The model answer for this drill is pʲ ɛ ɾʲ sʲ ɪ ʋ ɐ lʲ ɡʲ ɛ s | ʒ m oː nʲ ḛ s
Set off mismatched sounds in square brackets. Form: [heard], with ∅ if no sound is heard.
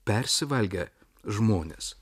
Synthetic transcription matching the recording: pʲ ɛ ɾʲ sʲ ɪ ʋ ɐ lʲ ɡʲ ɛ [∅] | ʒ m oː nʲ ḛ s